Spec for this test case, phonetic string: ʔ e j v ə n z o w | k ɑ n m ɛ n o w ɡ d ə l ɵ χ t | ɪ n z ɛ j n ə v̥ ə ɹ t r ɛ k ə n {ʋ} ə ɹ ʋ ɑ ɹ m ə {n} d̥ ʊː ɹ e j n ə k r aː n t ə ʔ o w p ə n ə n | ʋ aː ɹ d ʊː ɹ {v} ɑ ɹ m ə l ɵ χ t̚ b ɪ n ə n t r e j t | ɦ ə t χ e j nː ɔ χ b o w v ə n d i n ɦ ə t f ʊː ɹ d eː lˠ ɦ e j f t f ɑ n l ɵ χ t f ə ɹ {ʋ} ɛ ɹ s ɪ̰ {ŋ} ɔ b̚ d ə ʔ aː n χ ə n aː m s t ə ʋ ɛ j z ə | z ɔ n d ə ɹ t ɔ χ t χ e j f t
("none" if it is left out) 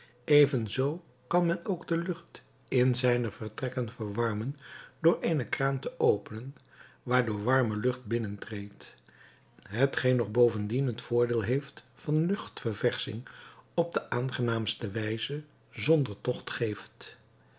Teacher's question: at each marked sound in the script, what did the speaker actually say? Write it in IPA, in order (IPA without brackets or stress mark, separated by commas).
v, n, ʋ, v, ŋ